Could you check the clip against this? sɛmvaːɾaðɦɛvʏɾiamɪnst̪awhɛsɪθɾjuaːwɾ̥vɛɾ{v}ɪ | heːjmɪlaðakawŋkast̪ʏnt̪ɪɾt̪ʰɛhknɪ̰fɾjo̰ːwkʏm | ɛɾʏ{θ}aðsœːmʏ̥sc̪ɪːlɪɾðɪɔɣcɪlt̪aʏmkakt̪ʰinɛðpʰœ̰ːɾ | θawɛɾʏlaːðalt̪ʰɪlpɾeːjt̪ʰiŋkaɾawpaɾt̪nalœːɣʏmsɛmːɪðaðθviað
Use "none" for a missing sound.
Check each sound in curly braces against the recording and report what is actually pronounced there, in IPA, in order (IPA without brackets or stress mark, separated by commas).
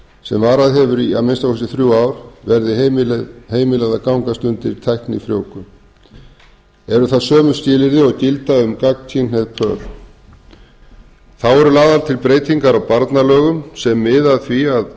ð, θ